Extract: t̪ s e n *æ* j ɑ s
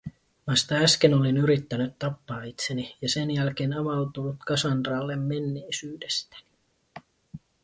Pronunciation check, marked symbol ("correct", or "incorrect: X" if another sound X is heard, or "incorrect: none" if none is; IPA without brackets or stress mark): incorrect: i